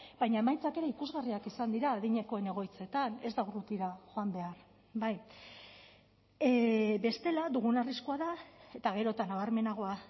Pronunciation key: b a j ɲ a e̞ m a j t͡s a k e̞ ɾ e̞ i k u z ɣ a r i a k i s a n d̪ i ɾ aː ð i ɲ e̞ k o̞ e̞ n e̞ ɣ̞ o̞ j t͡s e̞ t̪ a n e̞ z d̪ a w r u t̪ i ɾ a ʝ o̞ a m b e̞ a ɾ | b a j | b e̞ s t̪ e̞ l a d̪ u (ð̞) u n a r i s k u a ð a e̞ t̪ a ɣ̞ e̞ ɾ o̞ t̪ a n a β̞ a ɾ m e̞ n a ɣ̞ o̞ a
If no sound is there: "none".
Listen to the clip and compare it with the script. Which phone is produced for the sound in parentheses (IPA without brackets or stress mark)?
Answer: ɣ̞